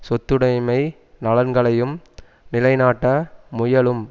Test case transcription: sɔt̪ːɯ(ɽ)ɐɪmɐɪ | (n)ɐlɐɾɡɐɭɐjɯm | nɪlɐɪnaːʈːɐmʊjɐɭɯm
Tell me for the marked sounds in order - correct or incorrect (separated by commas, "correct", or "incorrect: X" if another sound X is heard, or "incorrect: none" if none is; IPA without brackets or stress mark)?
correct, correct